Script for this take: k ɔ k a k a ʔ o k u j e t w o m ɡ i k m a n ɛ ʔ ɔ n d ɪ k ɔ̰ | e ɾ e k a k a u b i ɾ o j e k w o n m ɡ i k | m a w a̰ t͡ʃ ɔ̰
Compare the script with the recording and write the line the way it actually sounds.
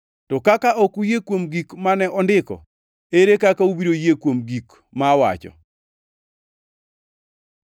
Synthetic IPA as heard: t ɔ k a k a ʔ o k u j e k w o m ɡ i k m a n ɛ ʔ ɔ n d ɪ k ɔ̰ | e ɾ e k a k a u b i ɾ o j e k w o m ɡ i k | m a w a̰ t͡ʃ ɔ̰